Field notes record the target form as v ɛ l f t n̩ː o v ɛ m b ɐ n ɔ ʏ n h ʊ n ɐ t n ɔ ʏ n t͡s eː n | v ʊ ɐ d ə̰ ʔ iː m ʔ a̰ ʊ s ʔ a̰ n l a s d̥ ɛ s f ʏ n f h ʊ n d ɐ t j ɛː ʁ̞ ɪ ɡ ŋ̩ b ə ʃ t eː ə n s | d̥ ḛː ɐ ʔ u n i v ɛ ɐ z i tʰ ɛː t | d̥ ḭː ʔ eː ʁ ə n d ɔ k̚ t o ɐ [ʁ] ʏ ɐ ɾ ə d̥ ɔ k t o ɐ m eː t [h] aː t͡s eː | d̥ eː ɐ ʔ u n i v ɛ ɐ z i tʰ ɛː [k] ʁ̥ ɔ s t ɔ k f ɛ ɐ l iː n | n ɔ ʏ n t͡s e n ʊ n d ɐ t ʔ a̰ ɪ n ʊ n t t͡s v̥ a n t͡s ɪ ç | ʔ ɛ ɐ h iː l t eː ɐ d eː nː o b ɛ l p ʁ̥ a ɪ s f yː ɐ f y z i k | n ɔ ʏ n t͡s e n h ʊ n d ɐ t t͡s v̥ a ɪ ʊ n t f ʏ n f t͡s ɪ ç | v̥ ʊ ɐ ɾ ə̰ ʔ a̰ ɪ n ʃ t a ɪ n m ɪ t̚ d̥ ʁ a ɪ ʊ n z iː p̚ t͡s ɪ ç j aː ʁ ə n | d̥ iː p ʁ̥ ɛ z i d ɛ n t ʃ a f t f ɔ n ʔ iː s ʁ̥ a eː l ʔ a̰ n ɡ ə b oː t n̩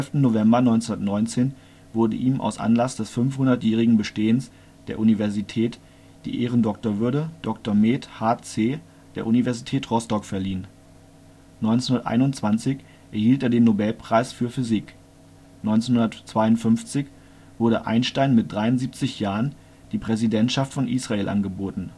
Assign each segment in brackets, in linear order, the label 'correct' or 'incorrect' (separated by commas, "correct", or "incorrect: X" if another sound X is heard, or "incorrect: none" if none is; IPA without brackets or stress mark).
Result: incorrect: v, correct, incorrect: t